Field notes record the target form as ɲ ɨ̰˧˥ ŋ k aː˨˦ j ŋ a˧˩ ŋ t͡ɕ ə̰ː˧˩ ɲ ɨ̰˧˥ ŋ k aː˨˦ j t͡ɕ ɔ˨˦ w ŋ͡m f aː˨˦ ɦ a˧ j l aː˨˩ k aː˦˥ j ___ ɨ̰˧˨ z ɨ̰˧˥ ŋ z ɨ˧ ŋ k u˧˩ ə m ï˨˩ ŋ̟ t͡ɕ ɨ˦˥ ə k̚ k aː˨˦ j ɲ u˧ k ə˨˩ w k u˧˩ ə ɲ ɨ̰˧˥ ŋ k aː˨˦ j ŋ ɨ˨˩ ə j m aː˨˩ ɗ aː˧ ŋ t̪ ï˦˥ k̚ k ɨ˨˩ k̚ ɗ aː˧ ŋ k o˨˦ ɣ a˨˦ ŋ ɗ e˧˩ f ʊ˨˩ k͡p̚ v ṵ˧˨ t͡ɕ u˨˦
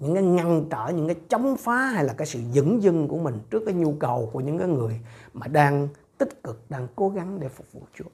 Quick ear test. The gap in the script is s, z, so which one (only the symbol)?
s